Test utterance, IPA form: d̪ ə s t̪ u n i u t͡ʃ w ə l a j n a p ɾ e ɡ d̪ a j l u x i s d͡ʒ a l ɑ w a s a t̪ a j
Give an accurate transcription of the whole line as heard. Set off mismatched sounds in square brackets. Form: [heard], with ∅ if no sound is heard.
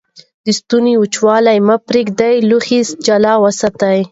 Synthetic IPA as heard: d̪ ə s t̪ u n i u t͡ʃ w [ɑ] l a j [m] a p ɾ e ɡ d̪ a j l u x i s d͡ʒ a l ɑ w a s a t̪ a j